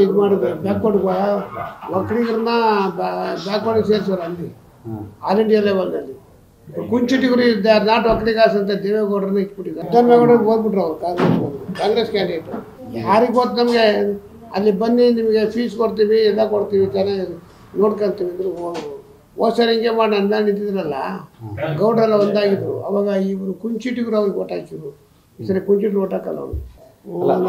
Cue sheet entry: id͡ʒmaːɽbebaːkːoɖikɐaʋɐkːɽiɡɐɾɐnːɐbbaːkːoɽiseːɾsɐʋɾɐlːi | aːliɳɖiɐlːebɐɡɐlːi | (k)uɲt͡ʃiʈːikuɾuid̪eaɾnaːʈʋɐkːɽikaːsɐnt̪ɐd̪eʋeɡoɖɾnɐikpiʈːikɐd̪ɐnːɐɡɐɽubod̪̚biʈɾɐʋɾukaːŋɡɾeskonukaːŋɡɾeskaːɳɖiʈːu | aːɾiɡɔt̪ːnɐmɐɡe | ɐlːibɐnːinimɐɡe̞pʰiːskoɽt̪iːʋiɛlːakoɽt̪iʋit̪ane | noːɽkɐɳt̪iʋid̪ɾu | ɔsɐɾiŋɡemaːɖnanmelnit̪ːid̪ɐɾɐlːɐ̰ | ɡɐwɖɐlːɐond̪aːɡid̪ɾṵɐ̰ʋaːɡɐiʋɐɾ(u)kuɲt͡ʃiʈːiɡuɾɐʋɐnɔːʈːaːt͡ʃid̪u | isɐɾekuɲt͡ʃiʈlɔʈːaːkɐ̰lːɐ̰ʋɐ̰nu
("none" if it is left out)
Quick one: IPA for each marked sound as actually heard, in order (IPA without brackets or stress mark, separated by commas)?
k, u